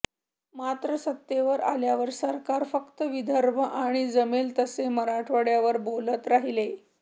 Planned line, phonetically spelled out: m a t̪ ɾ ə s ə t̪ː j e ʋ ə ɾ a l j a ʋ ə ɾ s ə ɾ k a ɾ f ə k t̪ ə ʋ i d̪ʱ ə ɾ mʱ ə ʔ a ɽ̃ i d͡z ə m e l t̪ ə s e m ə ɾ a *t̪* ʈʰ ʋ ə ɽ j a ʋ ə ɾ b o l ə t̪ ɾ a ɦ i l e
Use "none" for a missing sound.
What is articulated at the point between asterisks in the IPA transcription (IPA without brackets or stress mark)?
none